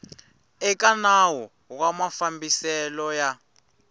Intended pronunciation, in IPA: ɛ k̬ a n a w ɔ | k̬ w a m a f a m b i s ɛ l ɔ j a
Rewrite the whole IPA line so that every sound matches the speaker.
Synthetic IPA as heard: ɛ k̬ a n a w ɔ | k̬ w a m a f a m b i s ɛ l ɔ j a

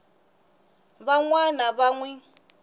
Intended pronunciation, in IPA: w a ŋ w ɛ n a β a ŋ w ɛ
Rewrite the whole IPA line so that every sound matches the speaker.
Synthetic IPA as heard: β a ŋ w a n a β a ŋ w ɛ

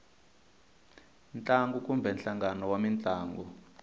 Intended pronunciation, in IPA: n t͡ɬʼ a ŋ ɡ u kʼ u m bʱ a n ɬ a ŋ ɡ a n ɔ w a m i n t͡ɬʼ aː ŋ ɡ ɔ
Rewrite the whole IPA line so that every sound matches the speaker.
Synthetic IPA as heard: n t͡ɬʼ a ŋ ɡ u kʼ u m bʱ ɛ n ɬ a ŋ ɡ a n ɔ w a m i n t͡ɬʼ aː ŋ ɡ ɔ

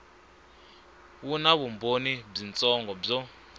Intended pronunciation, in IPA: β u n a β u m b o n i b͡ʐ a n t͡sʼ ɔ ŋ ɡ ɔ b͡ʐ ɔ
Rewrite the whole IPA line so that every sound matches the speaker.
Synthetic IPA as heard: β u n a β u m b o n i b͡ʐ i n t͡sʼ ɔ ŋ ɡ ɔ b͡ʐ ɔ

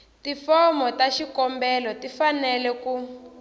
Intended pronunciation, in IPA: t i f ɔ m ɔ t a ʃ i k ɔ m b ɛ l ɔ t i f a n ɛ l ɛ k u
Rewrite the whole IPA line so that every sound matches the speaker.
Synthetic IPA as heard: t i f ɔ m ɔ t a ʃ i k ɔ m b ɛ l ɔ t i f a n ɛ l ɛ k u

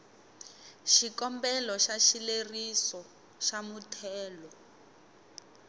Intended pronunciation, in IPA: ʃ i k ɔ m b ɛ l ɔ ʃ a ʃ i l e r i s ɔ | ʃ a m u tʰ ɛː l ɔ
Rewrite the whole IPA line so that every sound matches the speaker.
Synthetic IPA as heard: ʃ i k ɔ m b ɛ l ɔ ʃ a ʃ i l e r i s ɔ | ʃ a m u tʰ ɛː l ɔ

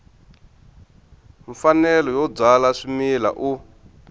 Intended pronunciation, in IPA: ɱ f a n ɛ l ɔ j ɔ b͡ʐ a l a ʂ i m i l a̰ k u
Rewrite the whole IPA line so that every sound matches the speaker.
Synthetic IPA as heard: ɱ f a n ɛ l ɔ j ɔ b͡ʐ a l a ʂ i m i l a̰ ʔ u

